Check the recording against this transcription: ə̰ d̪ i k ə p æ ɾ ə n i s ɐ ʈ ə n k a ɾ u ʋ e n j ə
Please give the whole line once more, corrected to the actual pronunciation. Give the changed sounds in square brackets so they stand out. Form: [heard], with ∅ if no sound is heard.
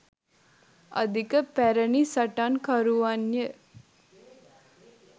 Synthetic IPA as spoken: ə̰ d̪ i k ə p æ ɾ ə n i s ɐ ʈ [a] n k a ɾ u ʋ [a] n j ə